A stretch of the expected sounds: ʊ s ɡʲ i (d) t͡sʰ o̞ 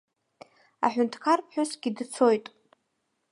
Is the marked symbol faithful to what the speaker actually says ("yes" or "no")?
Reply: yes